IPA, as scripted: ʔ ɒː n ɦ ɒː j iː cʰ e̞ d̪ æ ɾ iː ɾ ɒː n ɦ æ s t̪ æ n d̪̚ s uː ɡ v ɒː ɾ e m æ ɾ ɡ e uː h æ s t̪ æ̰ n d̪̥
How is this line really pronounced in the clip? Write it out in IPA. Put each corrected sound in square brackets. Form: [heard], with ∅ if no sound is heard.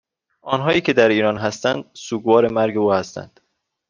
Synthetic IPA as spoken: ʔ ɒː n ɦ ɒː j iː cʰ e̞ d̪ æ ɾ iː ɾ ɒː n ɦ æ s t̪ æ n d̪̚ s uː ɡ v ɒː ɾ e m æ ɾ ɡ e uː h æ s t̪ æ̰ n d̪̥